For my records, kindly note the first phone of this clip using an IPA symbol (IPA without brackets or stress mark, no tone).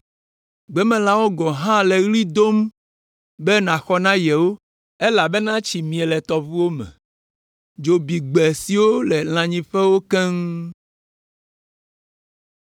ɡ͡b